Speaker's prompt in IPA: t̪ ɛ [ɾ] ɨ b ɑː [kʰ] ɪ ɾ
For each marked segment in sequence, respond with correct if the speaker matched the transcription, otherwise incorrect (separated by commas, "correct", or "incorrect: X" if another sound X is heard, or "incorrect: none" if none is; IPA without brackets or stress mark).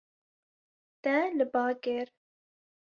incorrect: l, incorrect: k